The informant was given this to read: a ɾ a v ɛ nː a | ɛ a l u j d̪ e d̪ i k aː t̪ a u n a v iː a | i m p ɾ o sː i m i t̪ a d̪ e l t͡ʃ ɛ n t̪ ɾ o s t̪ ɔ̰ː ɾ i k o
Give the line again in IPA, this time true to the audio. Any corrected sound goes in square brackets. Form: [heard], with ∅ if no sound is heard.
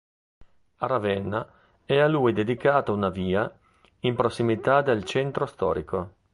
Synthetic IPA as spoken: a ɾ a v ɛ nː a | ɛ a l u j d̪ e d̪ i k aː t̪ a u n a v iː a | i m p ɾ o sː i m i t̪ a d̪ e l t͡ʃ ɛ n t̪ ɾ o s t̪ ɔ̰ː ɾ i k o